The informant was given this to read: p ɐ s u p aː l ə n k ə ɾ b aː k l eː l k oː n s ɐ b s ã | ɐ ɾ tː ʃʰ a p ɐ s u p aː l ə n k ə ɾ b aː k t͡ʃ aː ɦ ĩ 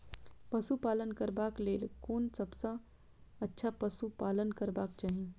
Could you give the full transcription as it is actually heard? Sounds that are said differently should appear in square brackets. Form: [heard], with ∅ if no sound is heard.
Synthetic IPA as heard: p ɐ s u p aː l ə n k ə ɾ b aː k l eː l k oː n s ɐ b s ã | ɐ [∅] tː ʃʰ a p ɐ s u p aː l ə n k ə ɾ b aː k t͡ʃ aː ɦ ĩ